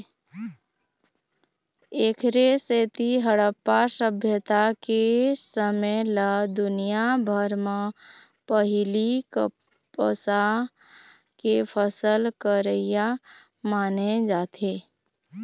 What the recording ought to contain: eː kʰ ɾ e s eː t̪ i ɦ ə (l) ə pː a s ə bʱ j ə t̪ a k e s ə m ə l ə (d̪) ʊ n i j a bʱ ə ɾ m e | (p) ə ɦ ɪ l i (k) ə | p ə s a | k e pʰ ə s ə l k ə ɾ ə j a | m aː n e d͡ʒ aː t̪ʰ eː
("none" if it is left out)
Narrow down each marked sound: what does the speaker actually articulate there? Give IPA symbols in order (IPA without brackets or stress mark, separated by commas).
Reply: ɽ, d̪, p, k